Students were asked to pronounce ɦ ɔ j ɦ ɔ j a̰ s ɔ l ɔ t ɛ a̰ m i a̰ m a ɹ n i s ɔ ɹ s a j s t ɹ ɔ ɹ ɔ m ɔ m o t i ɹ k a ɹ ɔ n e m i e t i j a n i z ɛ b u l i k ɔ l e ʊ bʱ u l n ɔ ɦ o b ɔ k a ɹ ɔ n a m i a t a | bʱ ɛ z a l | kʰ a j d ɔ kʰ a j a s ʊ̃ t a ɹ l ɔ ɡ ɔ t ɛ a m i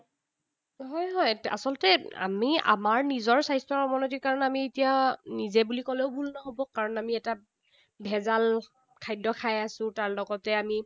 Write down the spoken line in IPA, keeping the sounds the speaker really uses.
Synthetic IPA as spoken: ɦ ɔ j ɦ ɔ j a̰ s ɔ l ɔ t ɛ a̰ m i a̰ m a ɹ n i z ɔ ɹ s a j s t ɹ ɔ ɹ ɔ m ɔ n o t i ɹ k a ɹ ɔ n a m i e t i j a n i z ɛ b u l i k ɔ l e ʊ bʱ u l n ɔ ɦ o b ɔ k a ɹ ɔ n a m i ɛ t a | bʱ ɛ z a l | kʰ a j d ɔ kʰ a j a s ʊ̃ t a ɹ l ɔ ɡ ɔ t ɛ a m i